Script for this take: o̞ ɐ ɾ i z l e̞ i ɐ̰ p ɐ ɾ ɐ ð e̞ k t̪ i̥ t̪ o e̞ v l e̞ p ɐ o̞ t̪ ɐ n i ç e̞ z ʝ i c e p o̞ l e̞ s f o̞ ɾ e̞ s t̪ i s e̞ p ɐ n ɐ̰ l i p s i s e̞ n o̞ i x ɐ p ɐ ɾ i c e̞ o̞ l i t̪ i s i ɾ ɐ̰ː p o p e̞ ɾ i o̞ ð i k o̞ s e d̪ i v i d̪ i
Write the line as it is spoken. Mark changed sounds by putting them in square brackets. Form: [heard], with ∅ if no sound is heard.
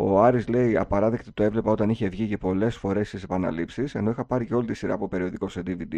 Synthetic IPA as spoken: o̞ ɐ ɾ i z l e̞ i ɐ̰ p ɐ ɾ ɐ ð e̞ k t̪ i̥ t̪ o e̞ v l e̞ p ɐ o̞ t̪ ɐ n i ç e̞ [v] ʝ i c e p o̞ l e̞ s f o̞ ɾ e̞ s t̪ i s e̞ p ɐ n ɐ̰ l i p s i s e̞ n o̞ i x ɐ p ɐ ɾ i c e̞ o̞ l i t̪ i s i ɾ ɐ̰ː p o p e̞ ɾ i o̞ ð i k o̞ s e d̪ i v i d̪ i